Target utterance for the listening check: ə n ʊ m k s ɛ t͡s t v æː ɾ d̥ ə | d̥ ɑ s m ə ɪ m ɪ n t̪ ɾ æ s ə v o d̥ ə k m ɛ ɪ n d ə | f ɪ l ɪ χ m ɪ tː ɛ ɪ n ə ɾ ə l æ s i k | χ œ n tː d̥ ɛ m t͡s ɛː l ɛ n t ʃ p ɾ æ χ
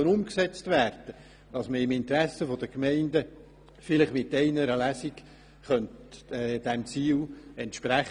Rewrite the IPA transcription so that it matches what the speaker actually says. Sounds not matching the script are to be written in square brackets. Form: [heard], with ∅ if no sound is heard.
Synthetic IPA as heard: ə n ʊ m k s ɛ t͡s t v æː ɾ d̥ ə | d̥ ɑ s m ə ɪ m ɪ n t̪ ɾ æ s ə [f] o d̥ ə k m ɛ ɪ n d ə | f ɪ l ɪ χ m ɪ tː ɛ ɪ n ə ɾ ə l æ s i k | χ œ n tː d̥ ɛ m t͡s [iː] l ɛ n t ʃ p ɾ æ χ

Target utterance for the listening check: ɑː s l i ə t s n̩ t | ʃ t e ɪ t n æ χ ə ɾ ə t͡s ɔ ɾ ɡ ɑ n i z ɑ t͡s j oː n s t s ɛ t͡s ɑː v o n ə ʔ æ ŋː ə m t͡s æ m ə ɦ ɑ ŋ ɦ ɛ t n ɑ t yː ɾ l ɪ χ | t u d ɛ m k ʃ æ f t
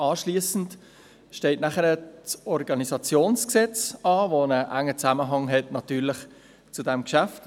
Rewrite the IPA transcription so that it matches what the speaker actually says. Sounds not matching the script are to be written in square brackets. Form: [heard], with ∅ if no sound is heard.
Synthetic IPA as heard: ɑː [ʃ] l i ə [∅] s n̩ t | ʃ t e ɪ t n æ χ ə ɾ ə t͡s ɔ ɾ ɡ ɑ n i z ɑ t͡s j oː n s [k] s ɛ t͡s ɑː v o n ə ʔ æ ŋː ə [∅] t͡s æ m ə ɦ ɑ ŋ ɦ ɛ t n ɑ t yː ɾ l ɪ χ | [t͡s] u d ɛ m k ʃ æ f t

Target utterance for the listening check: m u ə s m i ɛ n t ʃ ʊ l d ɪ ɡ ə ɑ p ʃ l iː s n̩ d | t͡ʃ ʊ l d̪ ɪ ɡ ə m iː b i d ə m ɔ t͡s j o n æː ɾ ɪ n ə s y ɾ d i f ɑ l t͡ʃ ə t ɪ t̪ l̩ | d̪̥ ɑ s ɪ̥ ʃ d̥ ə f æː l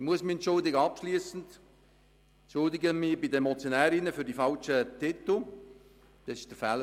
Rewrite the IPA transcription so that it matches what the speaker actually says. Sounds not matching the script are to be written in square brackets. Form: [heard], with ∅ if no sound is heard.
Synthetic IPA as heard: m u ə s m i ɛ n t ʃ ʊ l d ɪ ɡ ə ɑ p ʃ l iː s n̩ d | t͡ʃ ʊ l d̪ ɪ ɡ ə m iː b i d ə m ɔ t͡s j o n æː ɾ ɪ n ə [f] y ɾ d i f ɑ l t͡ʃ ə t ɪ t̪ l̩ | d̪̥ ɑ s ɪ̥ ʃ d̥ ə f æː l

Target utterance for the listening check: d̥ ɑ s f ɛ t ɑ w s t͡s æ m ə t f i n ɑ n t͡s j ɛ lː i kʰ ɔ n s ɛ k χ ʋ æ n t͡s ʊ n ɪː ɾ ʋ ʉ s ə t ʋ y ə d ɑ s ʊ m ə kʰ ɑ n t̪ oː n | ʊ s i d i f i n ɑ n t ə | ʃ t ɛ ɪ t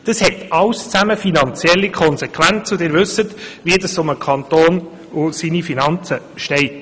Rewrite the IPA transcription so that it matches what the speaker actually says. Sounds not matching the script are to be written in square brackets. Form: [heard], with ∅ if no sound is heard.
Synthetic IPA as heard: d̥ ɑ s [h] ɛ t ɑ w s t͡s æ m ə [∅] f i n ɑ n t͡s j ɛ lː i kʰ ɔ n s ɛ k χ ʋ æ n t͡s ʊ [d] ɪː ɾ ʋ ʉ s ə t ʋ [i] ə d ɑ s ʊ m ə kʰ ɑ n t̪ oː n | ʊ s i [n] i f i n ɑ n [t͡s] ə | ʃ t ɛ ɪ t

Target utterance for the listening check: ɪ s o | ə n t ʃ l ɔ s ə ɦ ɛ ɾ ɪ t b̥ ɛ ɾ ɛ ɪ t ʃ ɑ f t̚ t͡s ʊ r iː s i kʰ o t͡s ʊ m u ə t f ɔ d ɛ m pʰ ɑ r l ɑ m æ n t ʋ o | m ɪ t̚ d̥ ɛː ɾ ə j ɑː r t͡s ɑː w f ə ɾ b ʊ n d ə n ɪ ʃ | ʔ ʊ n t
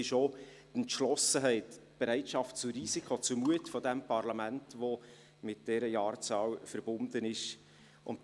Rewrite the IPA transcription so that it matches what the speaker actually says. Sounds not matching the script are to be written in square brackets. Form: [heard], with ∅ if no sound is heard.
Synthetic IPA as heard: ɪ [ʃ] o | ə n t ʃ l ɔ s ə ɦ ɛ [∅] ɪ t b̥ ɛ ɾ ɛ ɪ t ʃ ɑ f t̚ t͡s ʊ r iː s i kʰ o t͡s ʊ m u ə t f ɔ d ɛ m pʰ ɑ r l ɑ m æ n t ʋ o | m ɪ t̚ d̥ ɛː ɾ ə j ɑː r t͡s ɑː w f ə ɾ b ʊ n d ə n ɪ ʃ | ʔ ʊ n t

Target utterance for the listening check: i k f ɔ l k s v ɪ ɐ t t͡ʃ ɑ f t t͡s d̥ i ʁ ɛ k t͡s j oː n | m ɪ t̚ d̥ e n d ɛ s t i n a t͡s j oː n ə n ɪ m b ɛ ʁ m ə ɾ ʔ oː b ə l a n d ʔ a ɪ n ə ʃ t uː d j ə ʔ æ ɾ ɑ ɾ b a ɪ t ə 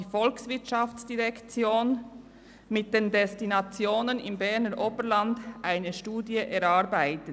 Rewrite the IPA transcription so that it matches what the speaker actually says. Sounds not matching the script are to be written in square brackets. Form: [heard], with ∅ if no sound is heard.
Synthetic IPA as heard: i [∅] f ɔ l k s v ɪ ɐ t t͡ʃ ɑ f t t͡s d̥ i ʁ ɛ k t͡s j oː n | m ɪ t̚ d̥ e n d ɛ s t i n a t͡s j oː n ə n ɪ m b ɛ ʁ [n] ə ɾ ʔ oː b ə l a n d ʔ a ɪ n ə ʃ t uː d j ə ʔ [ɛ] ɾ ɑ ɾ b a ɪ t ə

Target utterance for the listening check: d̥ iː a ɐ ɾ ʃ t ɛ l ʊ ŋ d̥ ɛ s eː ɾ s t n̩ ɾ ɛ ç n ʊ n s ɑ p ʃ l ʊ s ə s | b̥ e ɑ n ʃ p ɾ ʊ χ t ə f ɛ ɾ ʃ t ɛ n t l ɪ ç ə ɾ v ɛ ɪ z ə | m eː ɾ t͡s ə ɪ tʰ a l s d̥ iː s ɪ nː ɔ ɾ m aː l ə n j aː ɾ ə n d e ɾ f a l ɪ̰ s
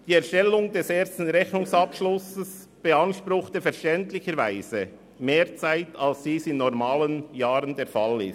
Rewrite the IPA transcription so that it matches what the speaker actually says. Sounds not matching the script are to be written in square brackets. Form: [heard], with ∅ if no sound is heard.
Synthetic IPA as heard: d̥ iː [ɛ] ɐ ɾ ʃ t ɛ l ʊ ŋ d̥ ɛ s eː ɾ s t n̩ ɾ ɛ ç n ʊ [ŋ] s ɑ p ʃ l ʊ s ə s | b̥ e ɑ n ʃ p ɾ ʊ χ t ə f ɛ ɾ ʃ t ɛ n t l ɪ ç ə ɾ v [a] ɪ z ə | m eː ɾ t͡s [a] ɪ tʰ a l s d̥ iː s ɪ nː ɔ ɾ m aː l ə n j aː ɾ ə n d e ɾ f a l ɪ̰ s

